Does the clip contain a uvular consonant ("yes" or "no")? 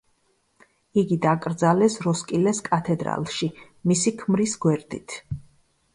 no